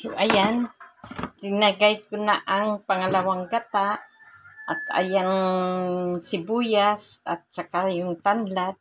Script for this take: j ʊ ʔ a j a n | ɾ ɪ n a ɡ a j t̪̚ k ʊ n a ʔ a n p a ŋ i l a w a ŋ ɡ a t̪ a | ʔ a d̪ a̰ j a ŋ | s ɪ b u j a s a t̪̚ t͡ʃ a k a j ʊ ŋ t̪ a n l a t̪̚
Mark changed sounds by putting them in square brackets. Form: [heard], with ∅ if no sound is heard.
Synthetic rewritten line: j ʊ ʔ a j a n | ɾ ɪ n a ɡ a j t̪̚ k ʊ n a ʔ a [ŋ] p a ŋ [a] l a w a ŋ ɡ a t̪ a | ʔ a [t̪] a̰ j a ŋ | s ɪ b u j a s a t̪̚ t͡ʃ a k a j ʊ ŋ t̪ a n l a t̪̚